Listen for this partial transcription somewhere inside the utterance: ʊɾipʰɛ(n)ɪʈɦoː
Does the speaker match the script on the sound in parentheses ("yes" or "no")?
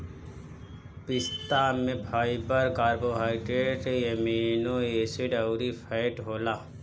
no